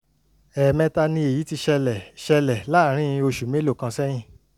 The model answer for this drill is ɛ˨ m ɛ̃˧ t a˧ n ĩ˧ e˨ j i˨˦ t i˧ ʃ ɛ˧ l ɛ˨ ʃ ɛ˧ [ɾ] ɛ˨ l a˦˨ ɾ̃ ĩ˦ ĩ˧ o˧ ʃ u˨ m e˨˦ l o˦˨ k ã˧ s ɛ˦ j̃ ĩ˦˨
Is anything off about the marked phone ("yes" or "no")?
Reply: yes